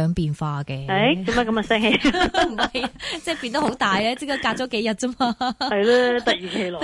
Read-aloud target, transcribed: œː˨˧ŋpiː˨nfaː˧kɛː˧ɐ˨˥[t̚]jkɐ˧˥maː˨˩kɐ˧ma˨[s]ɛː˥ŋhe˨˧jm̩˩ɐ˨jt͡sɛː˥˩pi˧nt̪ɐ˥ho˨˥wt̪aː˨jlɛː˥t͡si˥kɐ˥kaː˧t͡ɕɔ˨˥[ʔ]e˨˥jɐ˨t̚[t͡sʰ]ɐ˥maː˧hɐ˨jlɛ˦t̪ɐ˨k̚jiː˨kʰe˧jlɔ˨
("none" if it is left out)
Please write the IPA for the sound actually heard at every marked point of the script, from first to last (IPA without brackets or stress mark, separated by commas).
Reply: none, s, k, t͡s